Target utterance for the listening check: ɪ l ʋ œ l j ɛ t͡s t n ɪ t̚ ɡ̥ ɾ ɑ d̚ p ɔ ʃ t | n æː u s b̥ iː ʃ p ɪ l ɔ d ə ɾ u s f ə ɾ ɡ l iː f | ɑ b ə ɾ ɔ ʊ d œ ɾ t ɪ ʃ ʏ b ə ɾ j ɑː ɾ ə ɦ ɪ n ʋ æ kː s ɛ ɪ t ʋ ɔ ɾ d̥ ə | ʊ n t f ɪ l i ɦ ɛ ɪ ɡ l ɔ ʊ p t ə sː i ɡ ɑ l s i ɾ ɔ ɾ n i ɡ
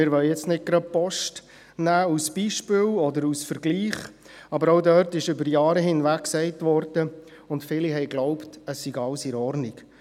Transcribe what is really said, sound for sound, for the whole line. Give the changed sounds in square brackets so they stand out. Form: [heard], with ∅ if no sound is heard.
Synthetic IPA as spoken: ɪ [ɾ] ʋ œ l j ɛ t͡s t n ɪ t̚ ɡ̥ ɾ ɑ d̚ p ɔ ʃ t | n æː u s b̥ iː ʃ p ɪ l ɔ d ə ɾ u s f ə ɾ ɡ l iː [χ] | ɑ b ə ɾ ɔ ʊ d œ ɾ t ɪ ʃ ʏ b ə ɾ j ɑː ɾ ə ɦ ɪ n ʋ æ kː s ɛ ɪ t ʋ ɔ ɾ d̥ ə | ʊ n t f ɪ l i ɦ ɛ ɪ ɡ l ɔ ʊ p t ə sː i ɡ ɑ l s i ɾ ɔ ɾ n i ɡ